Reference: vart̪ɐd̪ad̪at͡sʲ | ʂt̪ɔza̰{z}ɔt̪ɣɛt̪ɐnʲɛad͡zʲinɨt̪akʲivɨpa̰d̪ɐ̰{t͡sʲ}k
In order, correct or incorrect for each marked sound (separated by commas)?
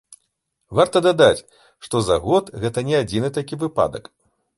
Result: incorrect, incorrect